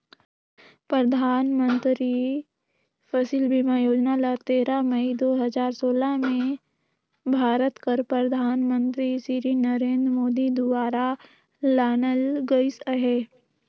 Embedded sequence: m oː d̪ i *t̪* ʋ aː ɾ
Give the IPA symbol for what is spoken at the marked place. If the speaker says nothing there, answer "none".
d̪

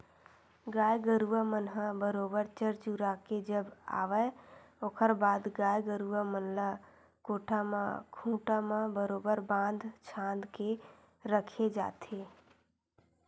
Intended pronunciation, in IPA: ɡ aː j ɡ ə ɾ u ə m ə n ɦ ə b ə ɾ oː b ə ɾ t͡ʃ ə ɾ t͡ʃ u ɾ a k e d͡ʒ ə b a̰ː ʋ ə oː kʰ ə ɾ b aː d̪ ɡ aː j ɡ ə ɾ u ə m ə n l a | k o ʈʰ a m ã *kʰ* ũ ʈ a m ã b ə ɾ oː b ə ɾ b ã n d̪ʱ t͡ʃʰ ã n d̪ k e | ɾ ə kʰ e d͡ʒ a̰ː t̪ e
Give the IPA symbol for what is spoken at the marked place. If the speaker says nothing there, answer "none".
kʰ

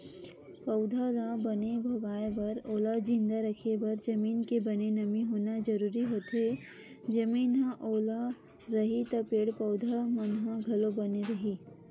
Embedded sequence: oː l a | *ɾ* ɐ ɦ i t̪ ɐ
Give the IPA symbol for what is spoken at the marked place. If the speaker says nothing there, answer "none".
ɾ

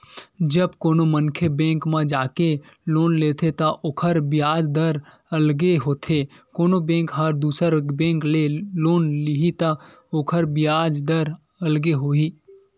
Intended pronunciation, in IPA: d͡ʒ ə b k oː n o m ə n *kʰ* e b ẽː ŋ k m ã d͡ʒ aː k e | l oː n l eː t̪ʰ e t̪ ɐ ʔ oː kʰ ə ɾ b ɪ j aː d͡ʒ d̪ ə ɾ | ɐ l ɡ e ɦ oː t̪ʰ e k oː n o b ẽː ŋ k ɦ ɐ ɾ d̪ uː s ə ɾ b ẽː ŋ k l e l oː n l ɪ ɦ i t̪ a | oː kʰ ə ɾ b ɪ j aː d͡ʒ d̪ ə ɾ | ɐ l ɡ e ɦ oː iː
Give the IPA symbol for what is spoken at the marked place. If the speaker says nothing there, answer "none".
kʰ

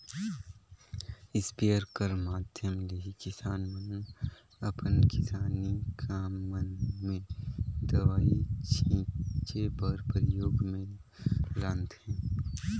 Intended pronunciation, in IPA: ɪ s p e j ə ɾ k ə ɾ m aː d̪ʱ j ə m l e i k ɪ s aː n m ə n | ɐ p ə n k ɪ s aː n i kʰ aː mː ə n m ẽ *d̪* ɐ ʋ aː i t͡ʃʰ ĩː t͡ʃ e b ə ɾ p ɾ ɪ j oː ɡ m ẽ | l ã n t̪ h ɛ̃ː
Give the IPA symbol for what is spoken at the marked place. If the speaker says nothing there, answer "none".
d̪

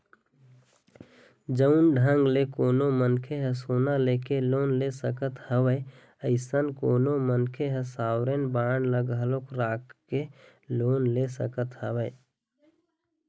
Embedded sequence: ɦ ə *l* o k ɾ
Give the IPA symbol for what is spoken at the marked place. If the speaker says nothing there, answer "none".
l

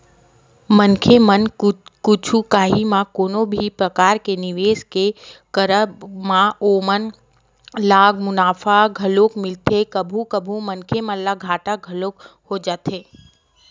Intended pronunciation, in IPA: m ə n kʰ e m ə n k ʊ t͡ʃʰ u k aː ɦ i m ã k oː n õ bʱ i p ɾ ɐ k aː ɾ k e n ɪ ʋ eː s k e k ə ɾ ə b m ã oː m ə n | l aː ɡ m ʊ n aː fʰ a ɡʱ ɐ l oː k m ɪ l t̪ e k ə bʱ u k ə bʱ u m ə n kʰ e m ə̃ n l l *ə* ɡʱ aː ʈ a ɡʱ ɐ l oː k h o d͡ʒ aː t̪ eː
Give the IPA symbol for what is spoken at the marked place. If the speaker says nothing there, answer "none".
a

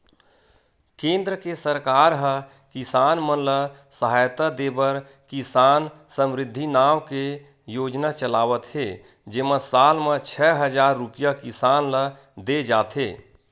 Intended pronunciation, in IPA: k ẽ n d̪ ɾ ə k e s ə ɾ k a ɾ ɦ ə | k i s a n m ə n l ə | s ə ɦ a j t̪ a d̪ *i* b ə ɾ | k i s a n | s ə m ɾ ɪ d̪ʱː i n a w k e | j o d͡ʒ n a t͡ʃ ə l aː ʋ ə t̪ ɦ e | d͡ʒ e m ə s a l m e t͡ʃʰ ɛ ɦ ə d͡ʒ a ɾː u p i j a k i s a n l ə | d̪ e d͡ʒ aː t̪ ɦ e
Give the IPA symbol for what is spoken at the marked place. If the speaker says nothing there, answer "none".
e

